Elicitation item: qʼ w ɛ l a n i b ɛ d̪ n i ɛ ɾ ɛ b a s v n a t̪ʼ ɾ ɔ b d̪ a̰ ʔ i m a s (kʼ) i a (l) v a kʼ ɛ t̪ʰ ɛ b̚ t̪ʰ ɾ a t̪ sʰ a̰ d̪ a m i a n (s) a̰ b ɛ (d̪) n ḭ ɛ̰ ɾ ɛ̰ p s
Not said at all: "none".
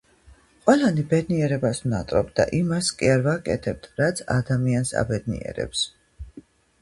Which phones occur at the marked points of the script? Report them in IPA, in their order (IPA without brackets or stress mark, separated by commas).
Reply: kʼ, ɾ, s, d̪